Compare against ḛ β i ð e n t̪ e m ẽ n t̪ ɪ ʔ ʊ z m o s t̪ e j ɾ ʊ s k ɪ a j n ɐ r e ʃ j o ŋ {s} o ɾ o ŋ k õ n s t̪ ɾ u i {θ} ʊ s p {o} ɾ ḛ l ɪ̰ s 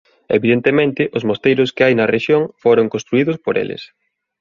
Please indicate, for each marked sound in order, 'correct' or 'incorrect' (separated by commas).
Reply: incorrect, incorrect, correct